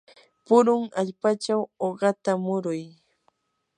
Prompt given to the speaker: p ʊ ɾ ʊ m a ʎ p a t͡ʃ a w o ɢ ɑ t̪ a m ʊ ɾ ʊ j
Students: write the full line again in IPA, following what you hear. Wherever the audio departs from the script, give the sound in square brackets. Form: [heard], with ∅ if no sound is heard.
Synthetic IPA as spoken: p ʊ ɾ ʊ [ŋ] a ʎ p a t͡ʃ a w o ɢ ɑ t̪ a m ʊ ɾ ʊ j